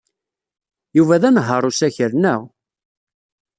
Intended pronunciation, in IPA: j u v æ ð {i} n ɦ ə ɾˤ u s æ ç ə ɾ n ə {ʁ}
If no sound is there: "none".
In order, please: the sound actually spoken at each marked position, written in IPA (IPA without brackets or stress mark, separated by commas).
æ, ʁ